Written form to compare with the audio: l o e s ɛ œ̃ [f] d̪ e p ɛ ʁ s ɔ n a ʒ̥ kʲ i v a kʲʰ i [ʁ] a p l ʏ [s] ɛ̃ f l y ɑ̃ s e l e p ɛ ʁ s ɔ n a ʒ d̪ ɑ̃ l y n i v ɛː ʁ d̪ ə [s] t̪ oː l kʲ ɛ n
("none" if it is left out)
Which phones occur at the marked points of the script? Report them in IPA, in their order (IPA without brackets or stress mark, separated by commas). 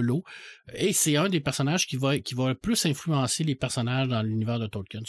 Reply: none, v, s, none